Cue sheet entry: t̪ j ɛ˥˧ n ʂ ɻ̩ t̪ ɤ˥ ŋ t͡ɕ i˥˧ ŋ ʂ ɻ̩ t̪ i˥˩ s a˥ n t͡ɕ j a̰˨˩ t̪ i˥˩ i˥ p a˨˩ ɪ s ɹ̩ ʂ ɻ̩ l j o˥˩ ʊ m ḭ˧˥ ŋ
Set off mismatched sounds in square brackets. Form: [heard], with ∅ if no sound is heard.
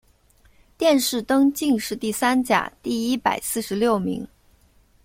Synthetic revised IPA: t̪ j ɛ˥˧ n ʂ ɻ̩ t̪ ɤ˥ ŋ t͡ɕ i˥˧ ŋ ʂ ɻ̩ t̪ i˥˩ s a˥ n t͡ɕ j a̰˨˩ t̪ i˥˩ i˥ p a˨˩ ɪ s ɹ̩ ʂ ɻ̩ l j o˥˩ ʊ m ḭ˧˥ ŋ